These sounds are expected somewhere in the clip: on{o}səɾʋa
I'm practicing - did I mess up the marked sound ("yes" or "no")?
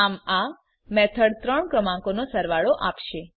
no